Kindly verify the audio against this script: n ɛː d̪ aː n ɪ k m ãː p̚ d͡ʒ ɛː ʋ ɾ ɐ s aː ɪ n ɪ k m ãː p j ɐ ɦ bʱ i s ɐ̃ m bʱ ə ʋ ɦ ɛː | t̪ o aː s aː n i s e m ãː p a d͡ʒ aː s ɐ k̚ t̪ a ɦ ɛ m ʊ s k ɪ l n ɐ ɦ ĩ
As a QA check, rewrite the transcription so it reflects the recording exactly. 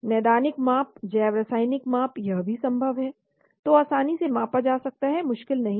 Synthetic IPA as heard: n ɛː d̪ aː n ɪ k m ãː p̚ d͡ʒ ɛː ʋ ɾ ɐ s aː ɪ n ɪ k m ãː p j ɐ ɦ bʱ i s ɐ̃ m bʱ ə ʋ ɦ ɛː | t̪ o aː s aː n i s e m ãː p a d͡ʒ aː s ɐ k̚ t̪ a ɦ ɛ m ʊ ʃ k ɪ l n ɐ ɦ ĩ